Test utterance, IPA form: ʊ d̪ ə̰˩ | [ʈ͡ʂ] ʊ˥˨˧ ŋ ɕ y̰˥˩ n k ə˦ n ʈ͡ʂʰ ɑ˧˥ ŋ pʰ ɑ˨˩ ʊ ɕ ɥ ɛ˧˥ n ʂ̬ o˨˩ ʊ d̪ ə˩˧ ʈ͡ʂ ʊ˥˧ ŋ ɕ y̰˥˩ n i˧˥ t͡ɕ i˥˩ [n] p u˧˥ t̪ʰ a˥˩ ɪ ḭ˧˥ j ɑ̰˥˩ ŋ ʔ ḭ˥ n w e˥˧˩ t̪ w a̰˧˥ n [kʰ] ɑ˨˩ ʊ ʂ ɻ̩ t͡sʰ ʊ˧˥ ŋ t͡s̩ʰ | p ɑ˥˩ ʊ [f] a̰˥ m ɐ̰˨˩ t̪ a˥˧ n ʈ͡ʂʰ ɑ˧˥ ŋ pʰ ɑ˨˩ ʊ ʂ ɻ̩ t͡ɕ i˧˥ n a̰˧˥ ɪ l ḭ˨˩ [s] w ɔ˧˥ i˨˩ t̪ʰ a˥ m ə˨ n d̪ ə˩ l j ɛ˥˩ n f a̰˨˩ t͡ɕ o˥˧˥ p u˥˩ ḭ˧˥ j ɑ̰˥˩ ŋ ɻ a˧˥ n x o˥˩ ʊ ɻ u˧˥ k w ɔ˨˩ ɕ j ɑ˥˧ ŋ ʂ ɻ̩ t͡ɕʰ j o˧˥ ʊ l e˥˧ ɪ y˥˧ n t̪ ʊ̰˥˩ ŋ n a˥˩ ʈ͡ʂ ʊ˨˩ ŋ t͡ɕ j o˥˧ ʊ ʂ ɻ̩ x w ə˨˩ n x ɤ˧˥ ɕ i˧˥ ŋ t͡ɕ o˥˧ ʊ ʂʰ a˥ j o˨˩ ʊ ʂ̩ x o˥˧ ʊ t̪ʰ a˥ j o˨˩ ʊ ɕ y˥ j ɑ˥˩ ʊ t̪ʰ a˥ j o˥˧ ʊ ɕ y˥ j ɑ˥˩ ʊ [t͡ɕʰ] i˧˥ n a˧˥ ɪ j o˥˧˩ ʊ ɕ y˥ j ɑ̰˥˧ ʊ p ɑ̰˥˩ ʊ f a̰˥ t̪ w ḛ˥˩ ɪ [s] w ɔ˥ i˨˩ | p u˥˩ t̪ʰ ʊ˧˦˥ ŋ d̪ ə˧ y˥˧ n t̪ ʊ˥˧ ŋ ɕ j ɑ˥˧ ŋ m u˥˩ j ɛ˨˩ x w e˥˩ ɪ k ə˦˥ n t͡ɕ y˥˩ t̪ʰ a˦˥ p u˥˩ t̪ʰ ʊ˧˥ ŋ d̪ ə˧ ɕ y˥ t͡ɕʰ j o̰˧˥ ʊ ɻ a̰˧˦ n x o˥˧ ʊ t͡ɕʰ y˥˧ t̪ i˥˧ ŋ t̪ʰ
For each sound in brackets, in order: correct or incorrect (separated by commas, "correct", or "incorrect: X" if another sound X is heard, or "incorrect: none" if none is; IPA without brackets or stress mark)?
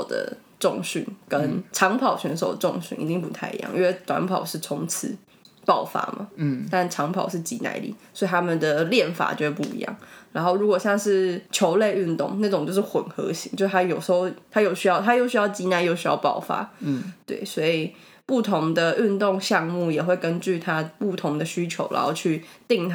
correct, incorrect: ŋ, incorrect: pʰ, correct, correct, incorrect: t͡ɕ, correct